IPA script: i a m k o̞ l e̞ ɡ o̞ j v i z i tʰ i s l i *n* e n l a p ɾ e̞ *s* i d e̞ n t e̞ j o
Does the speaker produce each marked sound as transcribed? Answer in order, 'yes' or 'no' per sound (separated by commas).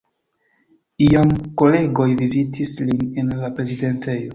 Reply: yes, no